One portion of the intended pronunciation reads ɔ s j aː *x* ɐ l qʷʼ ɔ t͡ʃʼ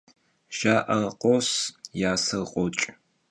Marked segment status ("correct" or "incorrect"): incorrect